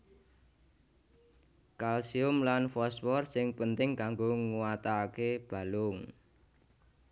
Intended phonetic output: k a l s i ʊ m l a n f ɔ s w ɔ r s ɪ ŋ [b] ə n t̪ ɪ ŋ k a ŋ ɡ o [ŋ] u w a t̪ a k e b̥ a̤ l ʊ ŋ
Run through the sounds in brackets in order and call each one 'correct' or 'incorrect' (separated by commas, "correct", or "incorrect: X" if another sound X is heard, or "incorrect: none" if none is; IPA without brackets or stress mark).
incorrect: p, correct